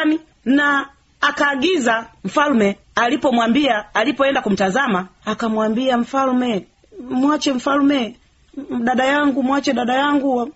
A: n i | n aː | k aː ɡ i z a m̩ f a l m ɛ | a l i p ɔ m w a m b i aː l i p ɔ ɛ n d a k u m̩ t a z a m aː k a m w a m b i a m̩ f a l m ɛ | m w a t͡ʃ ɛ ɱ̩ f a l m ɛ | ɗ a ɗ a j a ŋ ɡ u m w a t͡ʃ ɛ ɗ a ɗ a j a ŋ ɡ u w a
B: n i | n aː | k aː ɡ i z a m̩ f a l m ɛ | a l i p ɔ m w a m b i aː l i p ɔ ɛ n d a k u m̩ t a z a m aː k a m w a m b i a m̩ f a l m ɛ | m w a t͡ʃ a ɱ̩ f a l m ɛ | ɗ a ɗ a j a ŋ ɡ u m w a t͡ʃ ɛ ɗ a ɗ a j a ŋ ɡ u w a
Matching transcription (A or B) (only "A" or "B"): A